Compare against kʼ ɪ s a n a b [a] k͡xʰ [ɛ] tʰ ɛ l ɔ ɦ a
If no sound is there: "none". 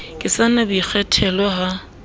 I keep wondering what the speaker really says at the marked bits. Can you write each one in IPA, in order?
i, ɛ

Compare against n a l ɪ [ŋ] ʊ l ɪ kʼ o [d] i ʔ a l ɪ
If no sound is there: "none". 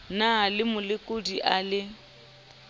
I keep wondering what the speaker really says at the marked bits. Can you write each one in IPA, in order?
m, d

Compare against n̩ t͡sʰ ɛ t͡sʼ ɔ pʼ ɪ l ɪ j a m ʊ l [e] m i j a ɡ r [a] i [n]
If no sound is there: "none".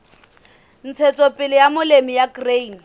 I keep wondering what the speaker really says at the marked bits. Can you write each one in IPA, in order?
e, e, n

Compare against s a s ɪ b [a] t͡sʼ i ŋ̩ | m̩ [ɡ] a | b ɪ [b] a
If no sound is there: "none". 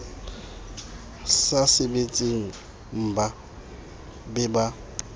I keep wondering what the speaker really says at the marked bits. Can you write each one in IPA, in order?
e, b, b

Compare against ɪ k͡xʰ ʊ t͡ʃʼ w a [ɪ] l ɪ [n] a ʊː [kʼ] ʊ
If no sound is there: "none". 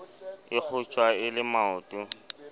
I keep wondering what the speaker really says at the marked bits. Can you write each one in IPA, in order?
ɪ, m, tʼ

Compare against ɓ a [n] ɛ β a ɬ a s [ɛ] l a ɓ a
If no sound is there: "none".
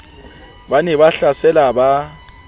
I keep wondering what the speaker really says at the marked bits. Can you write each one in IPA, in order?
n, ɛ

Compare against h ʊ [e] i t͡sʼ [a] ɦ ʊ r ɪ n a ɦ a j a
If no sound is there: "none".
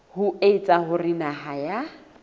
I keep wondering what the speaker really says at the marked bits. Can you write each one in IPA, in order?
e, a

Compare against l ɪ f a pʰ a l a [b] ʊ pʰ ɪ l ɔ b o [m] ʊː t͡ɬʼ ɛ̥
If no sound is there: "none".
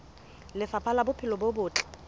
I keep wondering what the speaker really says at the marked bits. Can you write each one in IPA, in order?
b, b

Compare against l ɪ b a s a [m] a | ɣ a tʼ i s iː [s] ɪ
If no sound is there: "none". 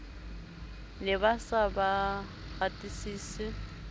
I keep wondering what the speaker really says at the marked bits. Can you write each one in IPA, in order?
b, s

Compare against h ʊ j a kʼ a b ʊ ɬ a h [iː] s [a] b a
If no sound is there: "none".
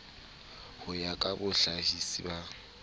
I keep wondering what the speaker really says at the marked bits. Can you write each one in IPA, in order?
i, i

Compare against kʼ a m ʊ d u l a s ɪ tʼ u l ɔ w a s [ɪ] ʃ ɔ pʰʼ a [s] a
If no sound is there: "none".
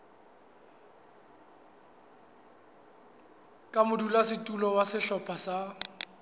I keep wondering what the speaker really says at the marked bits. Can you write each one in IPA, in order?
ɪ, s

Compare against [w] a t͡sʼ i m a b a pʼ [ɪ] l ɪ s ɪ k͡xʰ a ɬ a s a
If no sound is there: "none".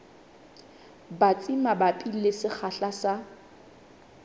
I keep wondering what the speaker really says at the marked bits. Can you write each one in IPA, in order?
b, i

